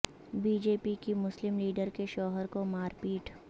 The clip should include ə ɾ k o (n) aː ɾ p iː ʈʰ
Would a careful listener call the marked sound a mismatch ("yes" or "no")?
yes